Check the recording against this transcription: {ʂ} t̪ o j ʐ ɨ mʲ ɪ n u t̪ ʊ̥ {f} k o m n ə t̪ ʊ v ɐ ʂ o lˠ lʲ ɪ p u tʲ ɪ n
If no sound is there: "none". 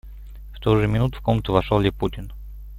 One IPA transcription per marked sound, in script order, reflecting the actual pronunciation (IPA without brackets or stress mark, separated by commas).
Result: f, f